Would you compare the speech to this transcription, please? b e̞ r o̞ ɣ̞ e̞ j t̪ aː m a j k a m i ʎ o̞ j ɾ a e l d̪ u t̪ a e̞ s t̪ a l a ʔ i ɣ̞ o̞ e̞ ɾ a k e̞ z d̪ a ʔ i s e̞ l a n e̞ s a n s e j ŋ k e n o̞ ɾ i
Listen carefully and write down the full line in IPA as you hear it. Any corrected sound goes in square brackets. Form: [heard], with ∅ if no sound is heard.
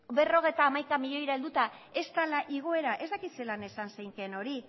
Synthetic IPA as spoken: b e̞ r o̞ ɣ̞ e̞ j t̪ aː m a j k a m i ʎ o̞ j ɾ a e l d̪ u t̪ a e̞ s t̪ a l a ʔ i ɣ̞ o̞ e̞ ɾ a [ʔ] e̞ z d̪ a [k] i s e̞ l a n e̞ s a n s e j ŋ k e n o̞ ɾ i